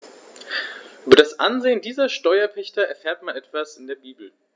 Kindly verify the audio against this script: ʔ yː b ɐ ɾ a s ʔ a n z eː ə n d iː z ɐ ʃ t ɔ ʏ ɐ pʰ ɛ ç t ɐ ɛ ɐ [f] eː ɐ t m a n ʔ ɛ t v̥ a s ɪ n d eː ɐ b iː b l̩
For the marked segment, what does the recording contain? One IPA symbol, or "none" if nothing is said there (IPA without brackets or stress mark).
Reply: f